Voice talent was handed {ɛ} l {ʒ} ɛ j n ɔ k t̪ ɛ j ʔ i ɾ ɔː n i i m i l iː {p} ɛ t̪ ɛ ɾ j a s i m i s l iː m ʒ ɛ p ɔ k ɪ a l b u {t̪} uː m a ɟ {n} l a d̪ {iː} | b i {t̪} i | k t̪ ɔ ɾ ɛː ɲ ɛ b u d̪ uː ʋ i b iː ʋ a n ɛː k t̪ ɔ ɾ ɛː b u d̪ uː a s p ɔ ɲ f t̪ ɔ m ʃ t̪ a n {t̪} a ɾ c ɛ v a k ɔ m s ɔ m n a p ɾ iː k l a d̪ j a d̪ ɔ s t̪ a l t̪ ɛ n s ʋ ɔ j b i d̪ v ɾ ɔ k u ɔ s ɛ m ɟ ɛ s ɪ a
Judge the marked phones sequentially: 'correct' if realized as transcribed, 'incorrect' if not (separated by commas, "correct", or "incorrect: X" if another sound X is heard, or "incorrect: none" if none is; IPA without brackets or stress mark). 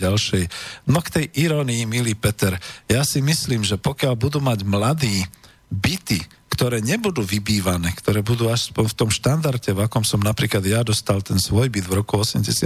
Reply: incorrect: a, incorrect: ʃ, correct, incorrect: d̪, incorrect: m, correct, correct, incorrect: d̪